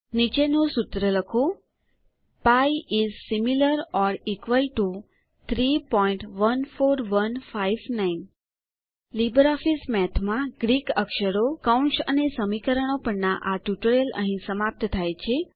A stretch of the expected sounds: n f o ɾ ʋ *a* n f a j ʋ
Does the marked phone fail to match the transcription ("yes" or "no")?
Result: yes